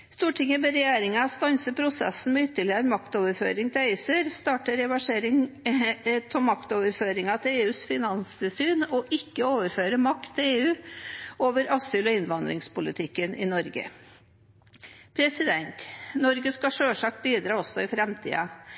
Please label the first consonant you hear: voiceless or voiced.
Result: voiceless